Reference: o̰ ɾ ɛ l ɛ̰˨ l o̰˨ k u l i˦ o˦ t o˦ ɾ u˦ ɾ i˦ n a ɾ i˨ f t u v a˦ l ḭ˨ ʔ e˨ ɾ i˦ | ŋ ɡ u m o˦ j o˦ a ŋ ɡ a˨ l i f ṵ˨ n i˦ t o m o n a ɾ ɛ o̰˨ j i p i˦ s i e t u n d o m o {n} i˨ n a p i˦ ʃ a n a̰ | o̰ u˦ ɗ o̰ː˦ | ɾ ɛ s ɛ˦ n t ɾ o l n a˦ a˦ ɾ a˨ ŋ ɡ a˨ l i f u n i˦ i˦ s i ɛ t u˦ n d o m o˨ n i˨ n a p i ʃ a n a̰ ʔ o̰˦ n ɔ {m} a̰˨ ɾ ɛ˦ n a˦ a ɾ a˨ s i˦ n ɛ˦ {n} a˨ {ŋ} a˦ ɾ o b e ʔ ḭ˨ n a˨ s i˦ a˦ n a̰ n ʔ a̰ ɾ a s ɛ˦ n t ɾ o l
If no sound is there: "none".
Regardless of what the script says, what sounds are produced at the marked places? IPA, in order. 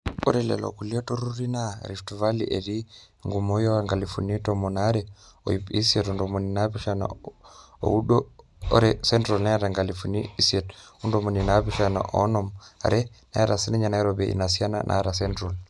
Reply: n, m, ɲ, n

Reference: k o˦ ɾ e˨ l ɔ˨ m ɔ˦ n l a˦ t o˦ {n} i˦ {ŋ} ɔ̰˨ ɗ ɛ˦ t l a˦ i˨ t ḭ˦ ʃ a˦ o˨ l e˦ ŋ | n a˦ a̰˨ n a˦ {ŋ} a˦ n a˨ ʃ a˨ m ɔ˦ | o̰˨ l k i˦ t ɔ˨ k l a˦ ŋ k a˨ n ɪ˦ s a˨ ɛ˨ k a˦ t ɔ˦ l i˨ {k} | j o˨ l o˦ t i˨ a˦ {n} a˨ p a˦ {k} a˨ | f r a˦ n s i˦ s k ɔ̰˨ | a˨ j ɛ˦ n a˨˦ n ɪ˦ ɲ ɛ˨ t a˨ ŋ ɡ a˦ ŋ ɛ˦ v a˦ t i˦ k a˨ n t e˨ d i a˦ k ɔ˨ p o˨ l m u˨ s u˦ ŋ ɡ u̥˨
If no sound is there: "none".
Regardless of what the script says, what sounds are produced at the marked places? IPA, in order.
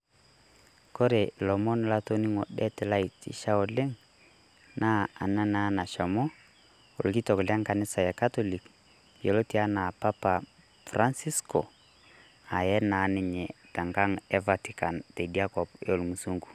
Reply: n, ŋ, n, k, n, p

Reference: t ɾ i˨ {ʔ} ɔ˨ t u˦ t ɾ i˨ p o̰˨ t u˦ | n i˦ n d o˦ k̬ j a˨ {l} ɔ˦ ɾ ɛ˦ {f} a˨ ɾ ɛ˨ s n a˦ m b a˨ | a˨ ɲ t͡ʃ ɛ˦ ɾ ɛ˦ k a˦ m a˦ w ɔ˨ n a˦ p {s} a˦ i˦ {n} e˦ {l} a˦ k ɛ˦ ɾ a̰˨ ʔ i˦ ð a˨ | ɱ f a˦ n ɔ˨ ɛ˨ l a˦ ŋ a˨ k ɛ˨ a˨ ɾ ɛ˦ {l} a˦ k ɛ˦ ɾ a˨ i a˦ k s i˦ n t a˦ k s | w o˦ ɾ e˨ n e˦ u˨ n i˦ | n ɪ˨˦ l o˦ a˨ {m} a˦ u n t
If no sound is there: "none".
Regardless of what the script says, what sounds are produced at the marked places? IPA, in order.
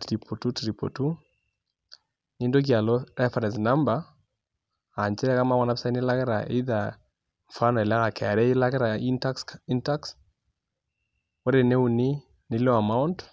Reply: p, l, f, s, n, l, l, m

